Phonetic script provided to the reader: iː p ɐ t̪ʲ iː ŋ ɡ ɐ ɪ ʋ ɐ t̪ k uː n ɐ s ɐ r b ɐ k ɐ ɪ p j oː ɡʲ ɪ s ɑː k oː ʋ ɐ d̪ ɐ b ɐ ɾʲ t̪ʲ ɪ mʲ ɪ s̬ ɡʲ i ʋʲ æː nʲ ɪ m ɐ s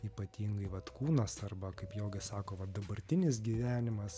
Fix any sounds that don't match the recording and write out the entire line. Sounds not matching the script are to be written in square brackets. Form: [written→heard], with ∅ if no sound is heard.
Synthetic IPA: iː p ɐ t̪ʲ iː ŋ ɡ ɐ ɪ ʋ ɐ t̪ k uː n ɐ s ɐ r b ɐ k ɐ ɪ p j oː ɡʲ ɪ s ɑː k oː ʋ ɐ d̪ ɐ b ɐ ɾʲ t̪ʲ ɪ [mʲ→nʲ] ɪ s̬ ɡʲ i ʋʲ æː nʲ ɪ m ɐ s